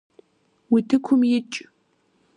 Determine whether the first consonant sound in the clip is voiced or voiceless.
voiced